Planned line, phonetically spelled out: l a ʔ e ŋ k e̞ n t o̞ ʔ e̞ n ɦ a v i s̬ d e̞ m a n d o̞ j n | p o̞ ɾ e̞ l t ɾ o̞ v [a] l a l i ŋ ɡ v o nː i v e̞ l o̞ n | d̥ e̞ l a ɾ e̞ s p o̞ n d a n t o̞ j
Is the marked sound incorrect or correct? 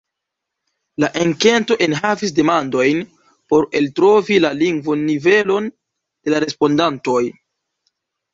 incorrect